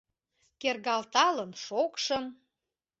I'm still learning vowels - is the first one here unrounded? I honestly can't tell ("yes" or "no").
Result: yes